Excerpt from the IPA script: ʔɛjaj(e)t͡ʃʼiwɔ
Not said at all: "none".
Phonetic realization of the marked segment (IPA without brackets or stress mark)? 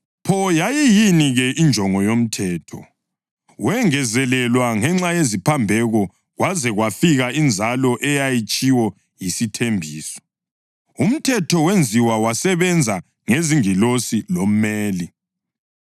i